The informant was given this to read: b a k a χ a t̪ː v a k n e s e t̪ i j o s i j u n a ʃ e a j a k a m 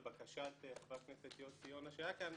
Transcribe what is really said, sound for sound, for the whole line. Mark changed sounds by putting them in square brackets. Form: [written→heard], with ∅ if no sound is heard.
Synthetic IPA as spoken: b a k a [χ→ʃ] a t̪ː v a k n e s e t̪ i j o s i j [u→o] n a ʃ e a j a k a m